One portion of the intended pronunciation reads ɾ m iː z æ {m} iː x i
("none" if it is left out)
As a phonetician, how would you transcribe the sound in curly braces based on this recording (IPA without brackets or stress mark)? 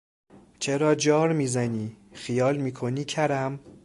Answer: n